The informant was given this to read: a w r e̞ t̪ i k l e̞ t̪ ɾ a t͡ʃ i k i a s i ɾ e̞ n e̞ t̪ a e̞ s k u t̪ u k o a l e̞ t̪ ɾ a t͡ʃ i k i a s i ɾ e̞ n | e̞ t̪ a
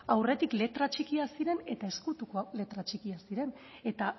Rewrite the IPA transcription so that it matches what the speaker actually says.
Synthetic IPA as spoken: a w r e̞ t̪ i k l e̞ t̪ ɾ a t͡ʃ i k i a s i ɾ e̞ n e̞ t̪ a e̞ s k u t̪ u k o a l e̞ t̪ ɾ a t͡ʃ i k i a s i ɾ e̞ n | e̞ t̪ a